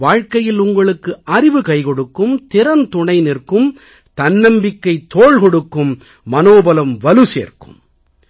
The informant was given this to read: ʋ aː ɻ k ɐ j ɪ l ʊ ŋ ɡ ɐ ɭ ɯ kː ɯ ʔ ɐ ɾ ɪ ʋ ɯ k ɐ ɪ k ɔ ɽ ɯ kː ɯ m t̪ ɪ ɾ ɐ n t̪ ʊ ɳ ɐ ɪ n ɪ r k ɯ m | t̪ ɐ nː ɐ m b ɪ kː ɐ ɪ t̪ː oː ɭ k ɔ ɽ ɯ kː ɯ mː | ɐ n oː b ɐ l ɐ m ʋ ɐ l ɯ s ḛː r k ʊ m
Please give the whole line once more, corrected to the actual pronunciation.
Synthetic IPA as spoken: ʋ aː ɻ k ɐ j ɪ l ʊ ŋ ɡ ɐ ɭ ɯ kː ɯ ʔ ɐ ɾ ɪ ʋ ɯ k ɐ ɪ k ɔ ɽ ɯ kː ɯ m t̪ ɪ ɾ ɐ n t̪ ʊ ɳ ɐ ɪ n ɪ r k ɯ m | t̪ ɐ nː ɐ m b ɪ kː ɐ ɪ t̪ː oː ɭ k ɔ ɽ ɯ kː ɯ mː | ɐ n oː b ɐ l ɐ m ʋ ɐ l ɯ s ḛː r k ɯ m